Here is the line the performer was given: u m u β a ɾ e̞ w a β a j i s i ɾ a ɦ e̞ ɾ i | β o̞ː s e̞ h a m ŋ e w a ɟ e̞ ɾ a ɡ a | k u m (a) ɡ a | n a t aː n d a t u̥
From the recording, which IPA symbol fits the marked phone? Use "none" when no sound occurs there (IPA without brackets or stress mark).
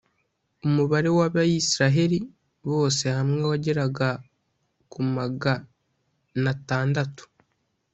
a